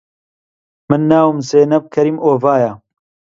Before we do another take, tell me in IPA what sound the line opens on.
m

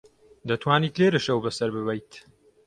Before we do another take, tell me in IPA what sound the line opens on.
d̪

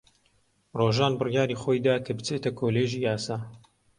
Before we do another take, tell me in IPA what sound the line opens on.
r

